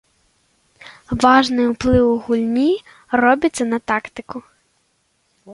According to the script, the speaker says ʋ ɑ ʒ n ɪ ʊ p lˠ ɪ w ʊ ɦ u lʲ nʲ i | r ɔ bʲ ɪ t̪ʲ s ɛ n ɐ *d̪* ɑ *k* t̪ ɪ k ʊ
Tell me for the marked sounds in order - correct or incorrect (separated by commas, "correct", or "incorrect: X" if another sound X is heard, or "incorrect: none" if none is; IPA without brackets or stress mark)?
incorrect: t̪, correct